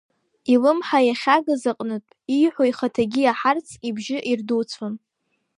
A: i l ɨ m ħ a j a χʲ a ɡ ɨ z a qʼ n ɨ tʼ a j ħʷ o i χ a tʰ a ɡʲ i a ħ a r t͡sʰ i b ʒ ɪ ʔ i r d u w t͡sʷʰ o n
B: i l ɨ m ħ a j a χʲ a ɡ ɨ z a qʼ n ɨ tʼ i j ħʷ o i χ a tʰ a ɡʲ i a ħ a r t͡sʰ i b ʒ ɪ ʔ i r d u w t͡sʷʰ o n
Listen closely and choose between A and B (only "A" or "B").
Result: B